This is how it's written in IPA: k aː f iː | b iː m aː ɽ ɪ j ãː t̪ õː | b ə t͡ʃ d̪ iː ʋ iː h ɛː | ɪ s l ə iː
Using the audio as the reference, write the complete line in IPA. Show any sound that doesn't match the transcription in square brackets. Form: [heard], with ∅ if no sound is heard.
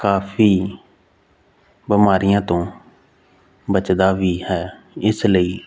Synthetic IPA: k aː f iː | b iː m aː [ɾ] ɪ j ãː t̪ õː | b ə t͡ʃ d̪ [aː] ʋ iː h ɛː | ɪ s l ə iː

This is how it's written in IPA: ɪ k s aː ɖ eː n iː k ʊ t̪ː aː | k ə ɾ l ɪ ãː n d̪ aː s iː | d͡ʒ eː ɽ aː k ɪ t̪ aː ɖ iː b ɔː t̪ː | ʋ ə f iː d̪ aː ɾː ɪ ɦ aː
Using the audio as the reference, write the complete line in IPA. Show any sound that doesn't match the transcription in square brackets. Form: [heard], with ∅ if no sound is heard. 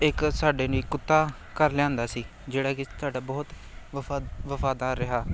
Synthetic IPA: ɪ k s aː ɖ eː n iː k ʊ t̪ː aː | k ə ɾ l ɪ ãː n d̪ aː s iː | d͡ʒ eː ɽ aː k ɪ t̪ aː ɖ [aː] b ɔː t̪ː | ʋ ə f [aː] d̪ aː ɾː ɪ ɦ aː

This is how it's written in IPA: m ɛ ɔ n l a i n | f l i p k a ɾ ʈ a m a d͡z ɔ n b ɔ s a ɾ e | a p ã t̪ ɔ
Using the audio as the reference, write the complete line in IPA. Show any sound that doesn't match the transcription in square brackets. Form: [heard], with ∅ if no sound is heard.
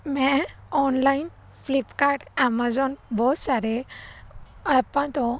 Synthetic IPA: m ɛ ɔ n l a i n | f l i p k a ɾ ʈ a m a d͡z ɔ n b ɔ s a ɾ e | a p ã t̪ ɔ

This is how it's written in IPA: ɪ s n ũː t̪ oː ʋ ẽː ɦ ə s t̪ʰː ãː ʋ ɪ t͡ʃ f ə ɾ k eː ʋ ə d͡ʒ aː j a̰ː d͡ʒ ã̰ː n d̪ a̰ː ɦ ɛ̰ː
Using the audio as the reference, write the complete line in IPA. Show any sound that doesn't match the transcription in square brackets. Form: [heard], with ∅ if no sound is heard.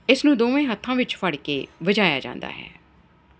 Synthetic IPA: ɪ s n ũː [d̪] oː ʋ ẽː ɦ ə [∅] t̪ʰː ãː ʋ ɪ t͡ʃ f ə [ɽ] k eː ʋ ə d͡ʒ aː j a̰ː d͡ʒ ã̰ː n d̪ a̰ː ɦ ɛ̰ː

